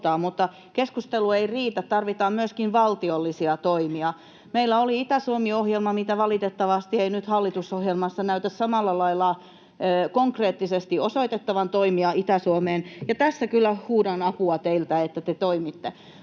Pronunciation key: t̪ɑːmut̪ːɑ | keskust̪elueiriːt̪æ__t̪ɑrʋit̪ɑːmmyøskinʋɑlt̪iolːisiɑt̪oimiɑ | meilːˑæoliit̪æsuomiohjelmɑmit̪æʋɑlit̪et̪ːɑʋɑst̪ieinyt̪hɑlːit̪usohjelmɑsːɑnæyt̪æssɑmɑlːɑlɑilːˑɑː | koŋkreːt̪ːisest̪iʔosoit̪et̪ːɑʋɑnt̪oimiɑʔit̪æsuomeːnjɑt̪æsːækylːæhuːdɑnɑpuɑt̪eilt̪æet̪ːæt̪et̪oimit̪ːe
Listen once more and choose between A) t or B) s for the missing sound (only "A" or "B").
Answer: A